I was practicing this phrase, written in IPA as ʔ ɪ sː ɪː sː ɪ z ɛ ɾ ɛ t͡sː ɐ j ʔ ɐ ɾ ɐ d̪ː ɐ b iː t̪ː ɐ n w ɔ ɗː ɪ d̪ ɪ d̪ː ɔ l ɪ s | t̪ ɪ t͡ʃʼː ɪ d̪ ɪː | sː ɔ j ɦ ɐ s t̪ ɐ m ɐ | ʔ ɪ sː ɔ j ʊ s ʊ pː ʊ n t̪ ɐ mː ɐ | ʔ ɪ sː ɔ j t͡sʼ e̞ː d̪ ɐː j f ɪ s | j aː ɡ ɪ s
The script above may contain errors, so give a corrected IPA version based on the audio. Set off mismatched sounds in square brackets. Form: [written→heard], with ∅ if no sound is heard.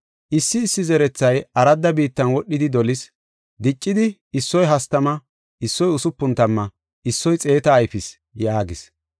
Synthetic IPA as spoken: ʔ ɪ sː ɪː sː ɪ z ɛ ɾ ɛ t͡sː ɐ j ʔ ɐ ɾ ɐ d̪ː ɐ b iː t̪ː ɐ n w ɔ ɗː ɪ d̪ ɪ [d̪ː→d̪] ɔ l ɪ s | [t̪→d̪] ɪ t͡ʃʼː ɪ d̪ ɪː | sː ɔ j ɦ ɐ s t̪ ɐ m ɐ | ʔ ɪ sː ɔ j ʊ s ʊ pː ʊ n t̪ ɐ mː ɐ | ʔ ɪ sː ɔ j t͡sʼ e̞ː [d̪→t̪] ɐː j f ɪ s | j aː ɡ ɪ s